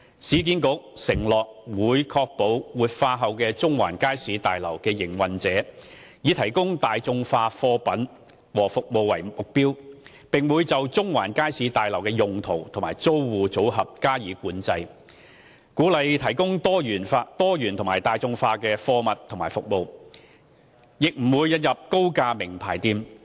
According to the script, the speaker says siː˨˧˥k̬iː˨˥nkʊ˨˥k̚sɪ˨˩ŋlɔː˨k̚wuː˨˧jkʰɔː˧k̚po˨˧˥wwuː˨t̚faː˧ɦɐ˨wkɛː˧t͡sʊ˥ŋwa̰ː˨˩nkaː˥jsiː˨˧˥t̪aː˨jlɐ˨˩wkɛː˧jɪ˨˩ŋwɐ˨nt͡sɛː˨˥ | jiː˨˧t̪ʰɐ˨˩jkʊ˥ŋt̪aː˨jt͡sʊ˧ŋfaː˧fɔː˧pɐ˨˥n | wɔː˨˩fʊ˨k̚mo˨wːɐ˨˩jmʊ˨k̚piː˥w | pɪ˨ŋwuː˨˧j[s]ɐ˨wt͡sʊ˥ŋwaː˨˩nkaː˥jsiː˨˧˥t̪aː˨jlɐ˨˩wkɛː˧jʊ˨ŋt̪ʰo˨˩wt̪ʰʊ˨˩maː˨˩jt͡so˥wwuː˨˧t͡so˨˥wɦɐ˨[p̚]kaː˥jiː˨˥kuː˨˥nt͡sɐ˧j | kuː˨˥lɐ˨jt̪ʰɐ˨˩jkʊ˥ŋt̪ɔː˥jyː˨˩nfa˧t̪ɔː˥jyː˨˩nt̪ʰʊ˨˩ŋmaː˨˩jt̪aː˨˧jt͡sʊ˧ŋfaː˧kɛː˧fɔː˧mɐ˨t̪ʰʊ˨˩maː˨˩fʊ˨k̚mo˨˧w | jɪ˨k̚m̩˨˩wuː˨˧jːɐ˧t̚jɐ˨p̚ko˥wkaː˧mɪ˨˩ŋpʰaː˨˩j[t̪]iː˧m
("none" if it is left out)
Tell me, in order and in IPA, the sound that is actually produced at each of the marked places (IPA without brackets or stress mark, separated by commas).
t͡s, p̚, t̪